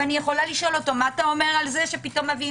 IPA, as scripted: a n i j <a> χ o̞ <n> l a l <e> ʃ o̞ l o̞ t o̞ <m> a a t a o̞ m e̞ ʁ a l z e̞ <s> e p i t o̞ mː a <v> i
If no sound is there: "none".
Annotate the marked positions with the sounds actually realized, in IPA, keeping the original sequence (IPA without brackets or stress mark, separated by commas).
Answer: e, none, i, m, ʃ, v